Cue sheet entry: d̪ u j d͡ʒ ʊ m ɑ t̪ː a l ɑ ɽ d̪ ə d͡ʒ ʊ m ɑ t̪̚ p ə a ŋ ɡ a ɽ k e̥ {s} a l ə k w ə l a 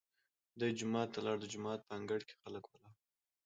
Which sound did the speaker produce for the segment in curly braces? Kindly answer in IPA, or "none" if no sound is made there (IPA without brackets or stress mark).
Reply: x